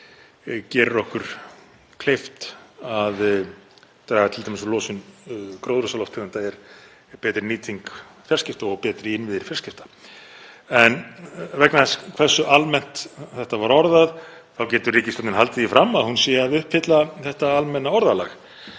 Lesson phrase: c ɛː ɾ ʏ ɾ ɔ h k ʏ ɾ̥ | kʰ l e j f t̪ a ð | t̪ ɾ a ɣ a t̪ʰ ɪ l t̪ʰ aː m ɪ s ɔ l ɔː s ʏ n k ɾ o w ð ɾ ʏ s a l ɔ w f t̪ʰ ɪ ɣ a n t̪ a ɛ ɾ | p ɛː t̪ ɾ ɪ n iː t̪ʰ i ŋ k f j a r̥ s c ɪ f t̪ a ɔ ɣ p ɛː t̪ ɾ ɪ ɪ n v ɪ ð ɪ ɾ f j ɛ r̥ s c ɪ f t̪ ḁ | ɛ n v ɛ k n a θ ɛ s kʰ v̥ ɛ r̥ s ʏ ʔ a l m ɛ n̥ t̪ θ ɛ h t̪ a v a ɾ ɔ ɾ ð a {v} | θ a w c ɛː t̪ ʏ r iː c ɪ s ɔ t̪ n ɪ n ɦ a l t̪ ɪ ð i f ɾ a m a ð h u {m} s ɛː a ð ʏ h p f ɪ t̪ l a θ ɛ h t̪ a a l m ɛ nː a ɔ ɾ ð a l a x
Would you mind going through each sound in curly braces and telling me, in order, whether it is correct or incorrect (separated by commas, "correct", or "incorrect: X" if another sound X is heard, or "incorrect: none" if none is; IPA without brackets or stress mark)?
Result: incorrect: ð, incorrect: n